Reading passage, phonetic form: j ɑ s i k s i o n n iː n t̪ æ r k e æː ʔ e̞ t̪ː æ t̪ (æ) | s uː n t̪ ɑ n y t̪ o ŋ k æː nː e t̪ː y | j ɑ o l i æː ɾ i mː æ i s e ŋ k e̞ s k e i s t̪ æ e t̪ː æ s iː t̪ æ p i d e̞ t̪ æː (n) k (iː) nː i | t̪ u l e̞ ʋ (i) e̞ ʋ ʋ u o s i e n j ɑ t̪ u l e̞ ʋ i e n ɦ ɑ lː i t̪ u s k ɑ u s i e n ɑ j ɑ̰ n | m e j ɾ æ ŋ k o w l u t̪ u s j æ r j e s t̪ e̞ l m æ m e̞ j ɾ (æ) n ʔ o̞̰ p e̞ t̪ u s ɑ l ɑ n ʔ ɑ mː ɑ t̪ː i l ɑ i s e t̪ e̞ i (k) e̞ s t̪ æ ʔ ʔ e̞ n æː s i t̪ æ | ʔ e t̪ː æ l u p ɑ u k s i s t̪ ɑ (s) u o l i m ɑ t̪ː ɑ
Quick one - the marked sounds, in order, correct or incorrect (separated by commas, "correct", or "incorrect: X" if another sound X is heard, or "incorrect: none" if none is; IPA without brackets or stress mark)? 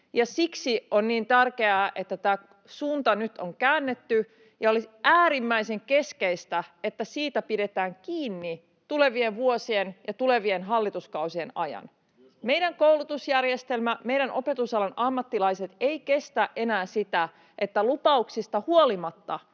incorrect: æː, incorrect: ŋ, correct, correct, correct, correct, incorrect: h